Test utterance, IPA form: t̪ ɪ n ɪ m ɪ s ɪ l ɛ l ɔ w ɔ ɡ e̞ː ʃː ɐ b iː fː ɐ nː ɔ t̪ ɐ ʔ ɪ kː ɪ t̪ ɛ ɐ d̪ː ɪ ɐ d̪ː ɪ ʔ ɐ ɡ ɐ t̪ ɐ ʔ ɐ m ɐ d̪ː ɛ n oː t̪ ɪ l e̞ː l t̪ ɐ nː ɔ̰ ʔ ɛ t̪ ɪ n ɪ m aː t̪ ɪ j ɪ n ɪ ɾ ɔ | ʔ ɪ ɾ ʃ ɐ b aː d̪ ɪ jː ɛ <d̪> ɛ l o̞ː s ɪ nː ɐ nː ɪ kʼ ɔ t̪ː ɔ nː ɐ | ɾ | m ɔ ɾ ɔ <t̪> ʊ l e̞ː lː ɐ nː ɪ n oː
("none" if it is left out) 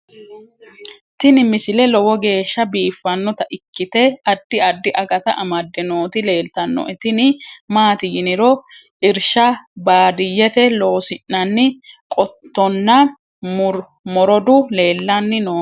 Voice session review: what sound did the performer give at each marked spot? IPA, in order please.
t̪, d̪

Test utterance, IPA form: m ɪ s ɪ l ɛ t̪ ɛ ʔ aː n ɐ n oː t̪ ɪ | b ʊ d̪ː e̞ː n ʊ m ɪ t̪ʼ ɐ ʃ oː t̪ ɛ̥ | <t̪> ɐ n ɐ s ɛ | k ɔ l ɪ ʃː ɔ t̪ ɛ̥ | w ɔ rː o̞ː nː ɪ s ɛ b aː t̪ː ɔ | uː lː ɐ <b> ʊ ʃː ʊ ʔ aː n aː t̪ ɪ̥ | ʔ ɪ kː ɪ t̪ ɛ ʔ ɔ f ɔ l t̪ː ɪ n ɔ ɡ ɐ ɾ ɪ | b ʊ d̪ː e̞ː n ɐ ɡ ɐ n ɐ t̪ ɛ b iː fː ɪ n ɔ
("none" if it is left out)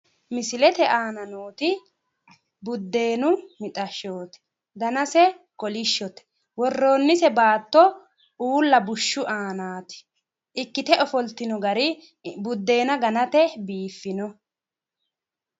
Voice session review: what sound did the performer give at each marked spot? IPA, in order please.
d̪, b

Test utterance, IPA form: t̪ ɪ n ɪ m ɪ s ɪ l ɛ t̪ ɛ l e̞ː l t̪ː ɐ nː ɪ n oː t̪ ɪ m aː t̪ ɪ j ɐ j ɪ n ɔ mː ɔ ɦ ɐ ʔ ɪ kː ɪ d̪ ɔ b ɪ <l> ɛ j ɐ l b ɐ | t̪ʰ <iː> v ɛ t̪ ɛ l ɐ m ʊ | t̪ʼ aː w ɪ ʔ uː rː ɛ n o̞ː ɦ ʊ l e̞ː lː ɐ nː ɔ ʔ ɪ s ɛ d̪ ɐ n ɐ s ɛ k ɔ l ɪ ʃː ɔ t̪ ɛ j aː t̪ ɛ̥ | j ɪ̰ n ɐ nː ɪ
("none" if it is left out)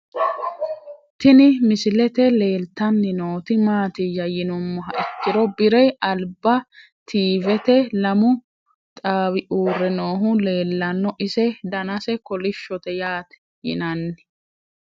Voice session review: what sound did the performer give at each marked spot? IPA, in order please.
ɾ, iː

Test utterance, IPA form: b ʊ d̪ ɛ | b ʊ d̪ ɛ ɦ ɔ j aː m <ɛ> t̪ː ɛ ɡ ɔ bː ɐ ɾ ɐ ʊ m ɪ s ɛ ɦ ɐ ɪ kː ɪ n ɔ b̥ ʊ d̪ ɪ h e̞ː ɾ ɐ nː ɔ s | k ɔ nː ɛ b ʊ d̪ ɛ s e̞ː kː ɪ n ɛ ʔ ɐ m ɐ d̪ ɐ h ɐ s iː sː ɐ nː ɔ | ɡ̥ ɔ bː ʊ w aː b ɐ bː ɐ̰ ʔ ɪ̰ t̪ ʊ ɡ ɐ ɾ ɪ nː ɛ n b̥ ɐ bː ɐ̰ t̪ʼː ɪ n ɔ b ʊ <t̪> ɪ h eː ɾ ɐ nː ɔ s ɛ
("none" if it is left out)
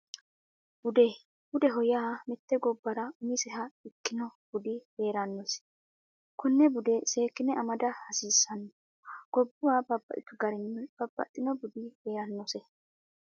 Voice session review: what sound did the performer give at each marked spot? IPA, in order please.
ɛ, d̪

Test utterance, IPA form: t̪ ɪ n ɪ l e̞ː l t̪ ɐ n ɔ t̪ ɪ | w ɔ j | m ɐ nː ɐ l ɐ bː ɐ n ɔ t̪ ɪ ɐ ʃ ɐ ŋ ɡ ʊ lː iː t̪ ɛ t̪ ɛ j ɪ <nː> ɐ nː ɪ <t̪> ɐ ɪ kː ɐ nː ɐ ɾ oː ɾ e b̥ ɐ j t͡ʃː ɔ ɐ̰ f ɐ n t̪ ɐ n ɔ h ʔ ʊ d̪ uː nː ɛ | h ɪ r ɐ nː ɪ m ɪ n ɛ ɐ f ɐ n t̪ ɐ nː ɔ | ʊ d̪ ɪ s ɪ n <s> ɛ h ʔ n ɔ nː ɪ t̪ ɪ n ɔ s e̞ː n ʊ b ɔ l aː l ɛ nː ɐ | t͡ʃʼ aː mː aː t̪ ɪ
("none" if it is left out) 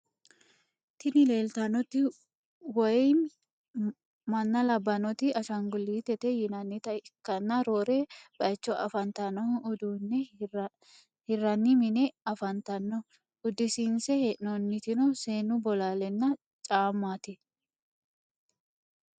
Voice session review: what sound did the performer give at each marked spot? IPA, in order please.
n, t̪, s

